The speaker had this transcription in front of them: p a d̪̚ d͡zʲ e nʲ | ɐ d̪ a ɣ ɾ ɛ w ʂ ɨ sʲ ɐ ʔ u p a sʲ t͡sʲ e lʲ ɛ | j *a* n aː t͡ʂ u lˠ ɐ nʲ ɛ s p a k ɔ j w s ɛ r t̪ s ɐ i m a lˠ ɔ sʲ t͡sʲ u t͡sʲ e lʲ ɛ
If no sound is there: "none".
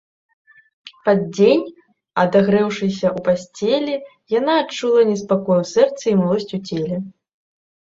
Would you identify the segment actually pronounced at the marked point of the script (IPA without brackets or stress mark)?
a